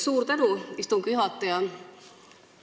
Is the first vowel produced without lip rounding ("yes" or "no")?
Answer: no